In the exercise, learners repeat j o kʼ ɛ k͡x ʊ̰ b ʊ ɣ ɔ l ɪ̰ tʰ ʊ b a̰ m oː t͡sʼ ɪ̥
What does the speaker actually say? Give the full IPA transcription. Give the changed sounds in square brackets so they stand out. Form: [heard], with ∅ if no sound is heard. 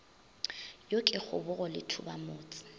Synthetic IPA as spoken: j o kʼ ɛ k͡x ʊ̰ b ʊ ɣ ɔ l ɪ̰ tʰ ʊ b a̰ m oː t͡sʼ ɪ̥